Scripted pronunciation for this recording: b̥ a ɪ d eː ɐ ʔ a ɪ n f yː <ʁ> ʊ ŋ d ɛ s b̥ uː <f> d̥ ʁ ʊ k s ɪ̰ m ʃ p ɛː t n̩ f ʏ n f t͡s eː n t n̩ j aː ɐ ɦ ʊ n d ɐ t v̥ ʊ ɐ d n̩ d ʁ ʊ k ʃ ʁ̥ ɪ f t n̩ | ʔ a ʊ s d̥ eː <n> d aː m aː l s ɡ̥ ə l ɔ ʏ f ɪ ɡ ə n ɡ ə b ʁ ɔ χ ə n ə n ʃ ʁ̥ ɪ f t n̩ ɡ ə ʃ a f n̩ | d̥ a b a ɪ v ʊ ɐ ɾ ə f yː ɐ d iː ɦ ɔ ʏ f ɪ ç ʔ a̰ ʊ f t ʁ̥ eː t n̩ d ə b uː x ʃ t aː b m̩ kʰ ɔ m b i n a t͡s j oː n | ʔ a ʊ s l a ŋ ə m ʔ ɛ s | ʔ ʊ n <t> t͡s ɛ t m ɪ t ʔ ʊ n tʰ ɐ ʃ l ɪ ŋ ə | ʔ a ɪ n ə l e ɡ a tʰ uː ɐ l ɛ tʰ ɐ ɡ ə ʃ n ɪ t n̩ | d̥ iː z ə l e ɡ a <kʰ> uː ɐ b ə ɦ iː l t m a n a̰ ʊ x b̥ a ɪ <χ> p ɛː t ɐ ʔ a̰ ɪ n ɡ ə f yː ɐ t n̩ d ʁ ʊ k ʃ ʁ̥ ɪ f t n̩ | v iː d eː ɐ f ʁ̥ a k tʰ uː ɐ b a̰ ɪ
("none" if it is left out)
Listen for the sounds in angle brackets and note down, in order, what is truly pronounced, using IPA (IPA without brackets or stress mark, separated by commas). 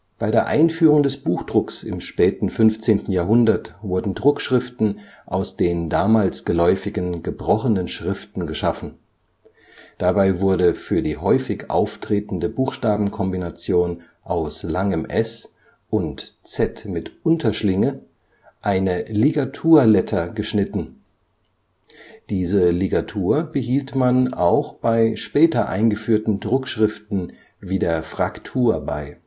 ʁ, x, n, t, tʰ, ʃ